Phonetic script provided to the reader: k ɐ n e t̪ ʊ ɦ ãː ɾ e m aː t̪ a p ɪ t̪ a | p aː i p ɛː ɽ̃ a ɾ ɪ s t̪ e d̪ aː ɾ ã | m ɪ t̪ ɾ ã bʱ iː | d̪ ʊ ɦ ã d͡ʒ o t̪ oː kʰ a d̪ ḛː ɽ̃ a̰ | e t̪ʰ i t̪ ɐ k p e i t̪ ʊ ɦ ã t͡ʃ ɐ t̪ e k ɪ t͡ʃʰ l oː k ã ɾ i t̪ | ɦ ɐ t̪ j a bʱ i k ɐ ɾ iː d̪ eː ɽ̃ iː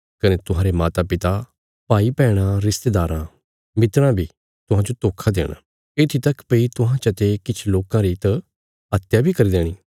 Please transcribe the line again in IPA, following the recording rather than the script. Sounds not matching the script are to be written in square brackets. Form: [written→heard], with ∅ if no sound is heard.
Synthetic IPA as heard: k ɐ n e t̪ ʊ ɦ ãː ɾ e m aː t̪ a p ɪ t̪ a | p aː i p ɛː ɽ̃ a ɾ ɪ s t̪ e d̪ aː ɾ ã | m ɪ t̪ ɾ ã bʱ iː | [d̪→t̪] ʊ ɦ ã d͡ʒ o t̪ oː kʰ a d̪ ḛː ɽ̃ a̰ | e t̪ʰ i t̪ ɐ k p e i t̪ ʊ ɦ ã t͡ʃ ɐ t̪ e k ɪ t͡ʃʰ l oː k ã ɾ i t̪ | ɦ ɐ t̪ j a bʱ i k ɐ ɾ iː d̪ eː ɽ̃ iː